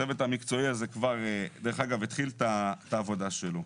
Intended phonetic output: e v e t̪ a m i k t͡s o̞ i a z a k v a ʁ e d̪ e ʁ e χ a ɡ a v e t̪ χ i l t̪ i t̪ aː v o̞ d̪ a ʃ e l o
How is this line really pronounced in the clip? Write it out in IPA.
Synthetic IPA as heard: e v e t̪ a m i k t͡s o̞ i a z e k v a ʁ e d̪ e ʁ e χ a ɡ a v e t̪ χ i l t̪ a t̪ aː v o̞ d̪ a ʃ e l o